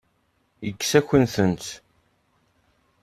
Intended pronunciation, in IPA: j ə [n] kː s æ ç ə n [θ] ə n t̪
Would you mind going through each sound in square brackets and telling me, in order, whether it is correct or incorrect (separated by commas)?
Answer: incorrect, correct